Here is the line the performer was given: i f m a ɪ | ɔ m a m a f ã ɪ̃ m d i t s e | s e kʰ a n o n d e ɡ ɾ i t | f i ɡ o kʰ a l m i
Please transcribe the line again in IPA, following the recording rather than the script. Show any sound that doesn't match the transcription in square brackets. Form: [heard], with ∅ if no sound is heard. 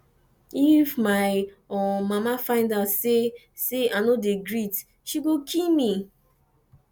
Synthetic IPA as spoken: i f m a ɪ | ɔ m a m a f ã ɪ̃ [n] d [a] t s e | s e [∅] a n o [∅] d e ɡ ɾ i t | [ʃ] i ɡ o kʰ [i] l m i

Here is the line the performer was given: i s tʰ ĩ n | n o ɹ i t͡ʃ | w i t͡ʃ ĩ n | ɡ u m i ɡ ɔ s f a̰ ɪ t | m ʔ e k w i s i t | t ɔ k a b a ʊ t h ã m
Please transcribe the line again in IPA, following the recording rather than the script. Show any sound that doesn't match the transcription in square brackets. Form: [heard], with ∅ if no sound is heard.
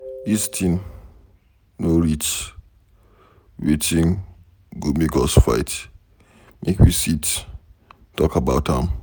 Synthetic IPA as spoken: i s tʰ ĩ n | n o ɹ i t͡ʃ | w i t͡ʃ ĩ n | ɡ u m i ɡ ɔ s f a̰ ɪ t | m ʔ e k w i s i t | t ɔ k a b a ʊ t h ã m

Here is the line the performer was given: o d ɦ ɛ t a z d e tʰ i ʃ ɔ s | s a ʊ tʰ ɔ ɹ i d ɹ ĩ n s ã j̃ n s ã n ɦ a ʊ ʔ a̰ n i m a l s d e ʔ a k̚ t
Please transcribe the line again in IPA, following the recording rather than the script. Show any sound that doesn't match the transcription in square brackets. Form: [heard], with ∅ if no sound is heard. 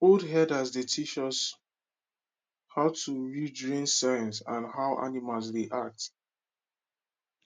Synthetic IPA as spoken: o d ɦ ɛ [d] a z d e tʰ i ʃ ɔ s | [h] a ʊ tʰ [u] ɹ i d ɹ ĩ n s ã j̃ n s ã n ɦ a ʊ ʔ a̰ n i m a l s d e ʔ a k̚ t

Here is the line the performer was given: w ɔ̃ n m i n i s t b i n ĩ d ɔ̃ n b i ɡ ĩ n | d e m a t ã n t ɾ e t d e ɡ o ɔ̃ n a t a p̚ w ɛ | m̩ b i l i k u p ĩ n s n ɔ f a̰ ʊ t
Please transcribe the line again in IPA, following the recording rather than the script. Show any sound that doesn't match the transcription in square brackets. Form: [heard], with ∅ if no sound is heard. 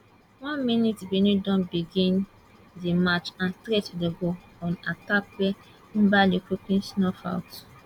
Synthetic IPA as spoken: w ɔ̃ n m i n i [∅] t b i n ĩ d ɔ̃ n b i ɡ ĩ n | d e m a [t͡ʃ] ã n t ɾ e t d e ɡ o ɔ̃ n a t a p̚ w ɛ | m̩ b [a] l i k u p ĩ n s n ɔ f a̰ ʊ t

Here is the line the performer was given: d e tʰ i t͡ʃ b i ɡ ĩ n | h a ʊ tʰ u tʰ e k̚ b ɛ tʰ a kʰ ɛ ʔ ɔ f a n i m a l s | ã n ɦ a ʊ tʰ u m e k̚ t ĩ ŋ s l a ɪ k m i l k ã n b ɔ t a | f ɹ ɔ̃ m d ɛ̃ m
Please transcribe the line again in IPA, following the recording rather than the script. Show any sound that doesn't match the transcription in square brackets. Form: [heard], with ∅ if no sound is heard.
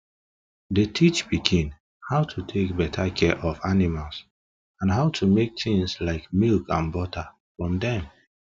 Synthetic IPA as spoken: d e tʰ i t͡ʃ b i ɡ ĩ n | h a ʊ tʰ u tʰ e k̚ b ɛ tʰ a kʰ ɛ ʔ ɔ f a n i m a l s | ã n ɦ a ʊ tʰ u m e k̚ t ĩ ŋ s l a ɪ k m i l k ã n b ɔ t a | f ɹ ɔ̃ m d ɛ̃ m

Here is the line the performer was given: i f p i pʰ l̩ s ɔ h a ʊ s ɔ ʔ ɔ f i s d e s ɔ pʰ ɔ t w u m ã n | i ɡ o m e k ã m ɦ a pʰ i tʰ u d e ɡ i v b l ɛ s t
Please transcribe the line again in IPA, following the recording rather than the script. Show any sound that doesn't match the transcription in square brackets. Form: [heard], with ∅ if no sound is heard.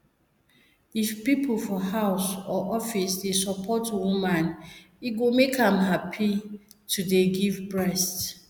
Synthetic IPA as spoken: i f p i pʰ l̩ [f] ɔ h a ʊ s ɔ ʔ ɔ f i s d e s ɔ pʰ ɔ t w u m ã n | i ɡ o m e k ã m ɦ a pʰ i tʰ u d e ɡ i v b [ɹ] ɛ s t

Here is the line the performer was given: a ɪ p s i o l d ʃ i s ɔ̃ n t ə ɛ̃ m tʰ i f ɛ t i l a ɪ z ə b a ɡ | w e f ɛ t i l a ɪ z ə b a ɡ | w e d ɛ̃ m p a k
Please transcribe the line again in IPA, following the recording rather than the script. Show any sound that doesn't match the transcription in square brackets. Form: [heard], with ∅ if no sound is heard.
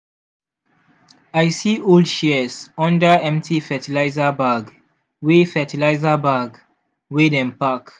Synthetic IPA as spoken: a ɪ [∅] s i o l d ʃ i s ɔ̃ n [d] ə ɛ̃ m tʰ i f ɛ t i l a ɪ z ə b a ɡ | w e f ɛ t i l a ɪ z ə b a ɡ | w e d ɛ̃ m p a k

